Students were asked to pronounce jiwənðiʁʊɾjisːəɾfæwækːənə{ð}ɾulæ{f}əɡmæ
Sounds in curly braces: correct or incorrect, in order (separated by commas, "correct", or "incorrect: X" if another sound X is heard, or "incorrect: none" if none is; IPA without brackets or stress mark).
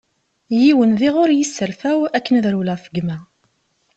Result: correct, correct